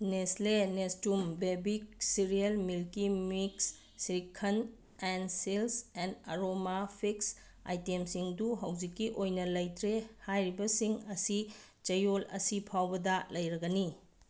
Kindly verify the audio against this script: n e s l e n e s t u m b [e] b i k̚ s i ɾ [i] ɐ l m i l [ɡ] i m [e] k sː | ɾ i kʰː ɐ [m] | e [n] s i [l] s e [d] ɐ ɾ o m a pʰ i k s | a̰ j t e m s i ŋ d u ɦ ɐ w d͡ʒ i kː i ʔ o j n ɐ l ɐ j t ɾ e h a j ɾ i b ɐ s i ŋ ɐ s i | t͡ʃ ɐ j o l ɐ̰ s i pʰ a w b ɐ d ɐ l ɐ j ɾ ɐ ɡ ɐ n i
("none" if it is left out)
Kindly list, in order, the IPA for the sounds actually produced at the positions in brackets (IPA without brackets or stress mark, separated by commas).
e, i, k, i, n, n, l, n